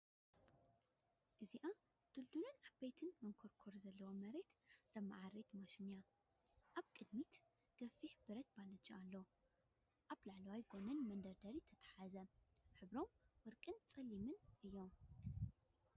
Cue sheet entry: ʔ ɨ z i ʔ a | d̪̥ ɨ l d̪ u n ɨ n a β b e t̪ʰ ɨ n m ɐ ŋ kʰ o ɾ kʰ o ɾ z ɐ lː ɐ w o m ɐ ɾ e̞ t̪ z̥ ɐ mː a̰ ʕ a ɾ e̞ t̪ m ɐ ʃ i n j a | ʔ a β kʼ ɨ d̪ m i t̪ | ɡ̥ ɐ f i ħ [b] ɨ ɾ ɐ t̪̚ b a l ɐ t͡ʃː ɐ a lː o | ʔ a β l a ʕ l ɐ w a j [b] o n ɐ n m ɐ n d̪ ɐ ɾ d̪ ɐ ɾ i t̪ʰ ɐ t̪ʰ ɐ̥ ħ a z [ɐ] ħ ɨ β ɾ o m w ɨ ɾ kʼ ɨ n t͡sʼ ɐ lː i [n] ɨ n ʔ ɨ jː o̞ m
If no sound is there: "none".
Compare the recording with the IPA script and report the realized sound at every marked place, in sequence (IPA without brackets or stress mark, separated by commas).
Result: b, ɡ, ɐ, m